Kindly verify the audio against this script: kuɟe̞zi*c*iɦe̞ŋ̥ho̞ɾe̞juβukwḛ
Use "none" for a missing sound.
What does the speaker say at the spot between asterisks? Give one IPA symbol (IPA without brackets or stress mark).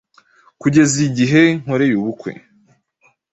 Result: ɟ